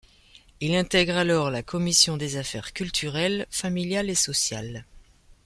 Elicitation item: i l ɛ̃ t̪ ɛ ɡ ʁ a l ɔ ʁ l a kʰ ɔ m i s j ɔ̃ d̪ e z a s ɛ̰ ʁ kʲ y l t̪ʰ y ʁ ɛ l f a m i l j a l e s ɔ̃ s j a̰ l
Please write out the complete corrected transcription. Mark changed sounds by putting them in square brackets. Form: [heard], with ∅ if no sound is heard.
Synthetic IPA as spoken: i l ɛ̃ t̪ ɛ ɡ ʁ a l ɔ ʁ l a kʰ ɔ m i s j ɔ̃ d̪ e z a [f] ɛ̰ ʁ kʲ y l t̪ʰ y ʁ ɛ l f a m i l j a l e s [ɔ] s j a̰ l